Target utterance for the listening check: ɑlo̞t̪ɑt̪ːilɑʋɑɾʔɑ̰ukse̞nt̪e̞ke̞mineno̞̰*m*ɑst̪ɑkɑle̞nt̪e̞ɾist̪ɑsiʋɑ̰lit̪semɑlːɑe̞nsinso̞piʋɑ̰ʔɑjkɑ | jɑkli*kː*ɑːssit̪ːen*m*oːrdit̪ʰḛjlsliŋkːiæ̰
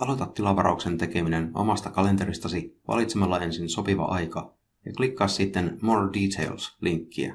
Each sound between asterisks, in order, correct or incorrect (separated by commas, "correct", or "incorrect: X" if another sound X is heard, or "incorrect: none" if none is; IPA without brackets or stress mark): correct, correct, correct